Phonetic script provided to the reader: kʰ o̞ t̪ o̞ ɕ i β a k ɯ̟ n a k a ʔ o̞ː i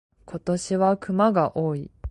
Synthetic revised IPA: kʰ o̞ t̪ o̞ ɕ i β a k ɯ̟ m a ɡ a ʔ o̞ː i